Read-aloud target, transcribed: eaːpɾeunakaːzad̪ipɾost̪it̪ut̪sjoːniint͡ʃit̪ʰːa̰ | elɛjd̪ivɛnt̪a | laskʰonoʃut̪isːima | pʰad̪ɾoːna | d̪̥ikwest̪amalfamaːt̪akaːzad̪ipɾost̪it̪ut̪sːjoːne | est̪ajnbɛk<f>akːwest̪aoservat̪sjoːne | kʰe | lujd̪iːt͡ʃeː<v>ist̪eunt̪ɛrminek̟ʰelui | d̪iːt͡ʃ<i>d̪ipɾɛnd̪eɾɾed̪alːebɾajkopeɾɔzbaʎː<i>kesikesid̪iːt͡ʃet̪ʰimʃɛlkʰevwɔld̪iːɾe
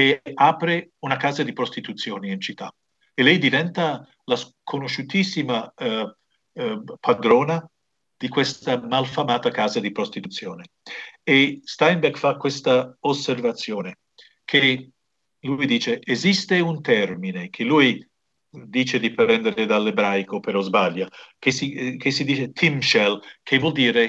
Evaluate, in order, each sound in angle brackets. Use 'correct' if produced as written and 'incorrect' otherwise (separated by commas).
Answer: correct, incorrect, incorrect, incorrect